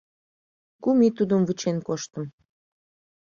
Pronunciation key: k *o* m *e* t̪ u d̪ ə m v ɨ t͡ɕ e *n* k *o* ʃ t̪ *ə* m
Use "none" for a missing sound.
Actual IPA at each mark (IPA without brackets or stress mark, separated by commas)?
u, i, n, o, ə